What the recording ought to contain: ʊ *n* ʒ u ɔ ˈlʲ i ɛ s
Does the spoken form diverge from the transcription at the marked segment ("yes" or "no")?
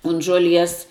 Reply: no